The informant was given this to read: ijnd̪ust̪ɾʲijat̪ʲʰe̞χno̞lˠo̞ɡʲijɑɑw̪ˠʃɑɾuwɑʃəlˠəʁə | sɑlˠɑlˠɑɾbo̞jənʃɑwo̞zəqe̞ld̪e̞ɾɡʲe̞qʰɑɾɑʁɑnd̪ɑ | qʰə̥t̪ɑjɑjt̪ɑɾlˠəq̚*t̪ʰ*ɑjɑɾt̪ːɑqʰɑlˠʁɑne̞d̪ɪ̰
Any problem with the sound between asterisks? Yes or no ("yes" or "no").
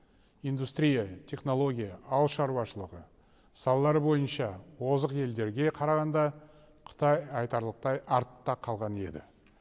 yes